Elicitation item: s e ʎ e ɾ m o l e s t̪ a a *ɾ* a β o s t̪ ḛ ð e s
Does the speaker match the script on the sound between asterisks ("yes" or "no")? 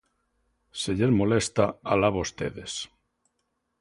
no